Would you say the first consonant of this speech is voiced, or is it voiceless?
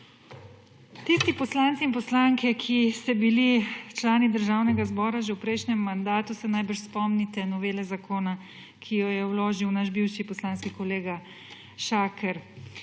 voiceless